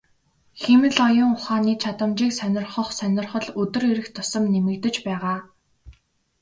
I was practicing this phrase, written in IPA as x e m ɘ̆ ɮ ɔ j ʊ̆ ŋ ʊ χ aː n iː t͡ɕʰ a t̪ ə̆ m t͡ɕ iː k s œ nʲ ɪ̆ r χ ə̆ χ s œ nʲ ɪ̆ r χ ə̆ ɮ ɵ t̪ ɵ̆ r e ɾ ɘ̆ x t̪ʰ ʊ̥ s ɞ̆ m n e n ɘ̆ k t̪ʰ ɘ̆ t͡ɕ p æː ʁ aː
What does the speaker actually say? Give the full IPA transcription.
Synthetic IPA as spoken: x e m ɘ̆ ɮ ɔ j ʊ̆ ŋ ʊ χ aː n iː t͡ɕʰ a t̪ ə̆ m t͡ɕ iː k s œ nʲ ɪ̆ r χ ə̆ χ s œ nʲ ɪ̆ r χ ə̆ ɮ ɵ t̪ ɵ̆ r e ɾ ɘ̆ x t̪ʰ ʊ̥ s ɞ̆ m n e m ɘ̆ k t̪ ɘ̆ t͡ɕ p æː ʁ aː